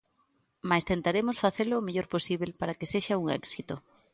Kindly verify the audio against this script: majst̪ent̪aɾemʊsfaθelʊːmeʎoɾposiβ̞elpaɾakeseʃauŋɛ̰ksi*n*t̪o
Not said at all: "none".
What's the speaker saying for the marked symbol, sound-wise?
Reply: none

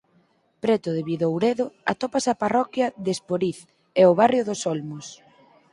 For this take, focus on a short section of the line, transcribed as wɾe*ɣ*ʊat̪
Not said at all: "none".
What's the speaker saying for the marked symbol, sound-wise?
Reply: ð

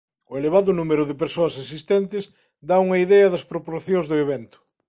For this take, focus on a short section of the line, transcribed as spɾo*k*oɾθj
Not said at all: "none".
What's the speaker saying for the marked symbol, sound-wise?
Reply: p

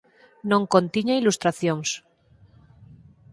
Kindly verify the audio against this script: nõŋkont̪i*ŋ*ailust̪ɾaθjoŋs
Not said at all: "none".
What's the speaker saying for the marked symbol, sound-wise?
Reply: ɲ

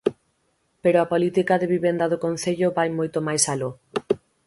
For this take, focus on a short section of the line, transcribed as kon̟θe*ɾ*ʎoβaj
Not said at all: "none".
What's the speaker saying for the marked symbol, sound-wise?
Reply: none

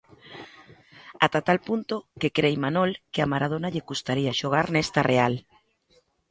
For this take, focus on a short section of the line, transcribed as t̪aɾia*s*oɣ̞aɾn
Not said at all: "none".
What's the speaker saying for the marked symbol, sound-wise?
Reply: ʃ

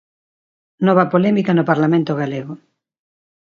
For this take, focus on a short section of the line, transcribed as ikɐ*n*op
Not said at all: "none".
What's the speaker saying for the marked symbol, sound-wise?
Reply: n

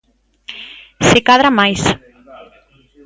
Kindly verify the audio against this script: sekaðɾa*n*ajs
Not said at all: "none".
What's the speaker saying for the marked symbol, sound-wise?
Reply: m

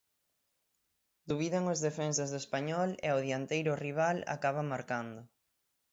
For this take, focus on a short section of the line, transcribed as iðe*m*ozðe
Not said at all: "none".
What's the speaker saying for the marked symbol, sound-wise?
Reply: ŋ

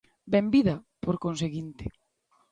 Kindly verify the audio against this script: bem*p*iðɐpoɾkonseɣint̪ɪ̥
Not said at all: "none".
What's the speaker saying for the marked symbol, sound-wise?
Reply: b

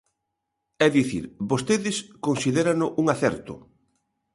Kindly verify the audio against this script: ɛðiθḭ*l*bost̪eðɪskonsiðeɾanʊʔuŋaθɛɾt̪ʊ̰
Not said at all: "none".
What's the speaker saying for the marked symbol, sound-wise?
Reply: ɾ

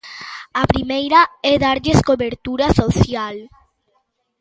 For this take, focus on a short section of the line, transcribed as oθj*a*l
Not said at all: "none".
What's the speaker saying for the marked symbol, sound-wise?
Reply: a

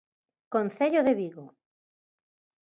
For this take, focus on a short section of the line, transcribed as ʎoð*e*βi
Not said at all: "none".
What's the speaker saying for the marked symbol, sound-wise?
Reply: e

